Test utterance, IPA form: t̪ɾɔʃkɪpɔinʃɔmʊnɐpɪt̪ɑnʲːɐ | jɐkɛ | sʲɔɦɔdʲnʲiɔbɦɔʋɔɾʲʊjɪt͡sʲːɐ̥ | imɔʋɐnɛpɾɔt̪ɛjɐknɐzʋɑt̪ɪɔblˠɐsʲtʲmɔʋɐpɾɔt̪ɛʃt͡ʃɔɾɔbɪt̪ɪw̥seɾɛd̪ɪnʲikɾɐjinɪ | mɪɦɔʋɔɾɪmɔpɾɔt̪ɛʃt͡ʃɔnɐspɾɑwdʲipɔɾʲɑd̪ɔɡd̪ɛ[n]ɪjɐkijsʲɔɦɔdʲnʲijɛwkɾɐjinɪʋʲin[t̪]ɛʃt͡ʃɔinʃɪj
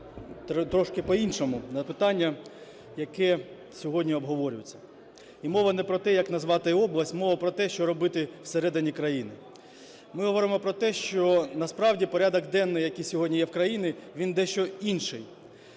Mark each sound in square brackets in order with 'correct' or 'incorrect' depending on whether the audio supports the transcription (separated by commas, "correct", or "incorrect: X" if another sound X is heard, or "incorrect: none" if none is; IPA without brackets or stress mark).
incorrect: nː, incorrect: d̪